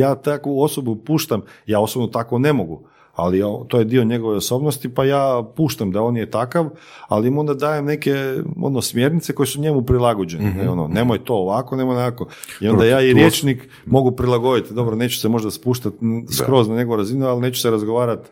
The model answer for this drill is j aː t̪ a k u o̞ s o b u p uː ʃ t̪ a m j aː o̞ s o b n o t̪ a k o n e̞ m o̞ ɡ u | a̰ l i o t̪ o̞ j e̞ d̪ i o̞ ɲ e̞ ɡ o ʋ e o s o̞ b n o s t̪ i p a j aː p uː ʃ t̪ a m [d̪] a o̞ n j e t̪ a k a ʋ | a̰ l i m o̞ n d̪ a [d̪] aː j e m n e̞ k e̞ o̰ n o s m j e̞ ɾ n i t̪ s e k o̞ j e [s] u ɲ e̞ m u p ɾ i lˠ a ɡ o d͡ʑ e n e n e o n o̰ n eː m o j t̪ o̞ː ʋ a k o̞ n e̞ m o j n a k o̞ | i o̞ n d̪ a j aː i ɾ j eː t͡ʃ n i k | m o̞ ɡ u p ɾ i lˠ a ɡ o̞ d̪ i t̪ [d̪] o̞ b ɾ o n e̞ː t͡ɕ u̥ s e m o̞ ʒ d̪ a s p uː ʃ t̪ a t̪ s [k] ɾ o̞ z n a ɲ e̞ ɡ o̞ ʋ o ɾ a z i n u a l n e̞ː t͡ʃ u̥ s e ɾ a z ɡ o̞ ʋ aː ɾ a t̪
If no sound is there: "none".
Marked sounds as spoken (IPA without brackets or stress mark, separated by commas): d̪, d̪, s, d̪, k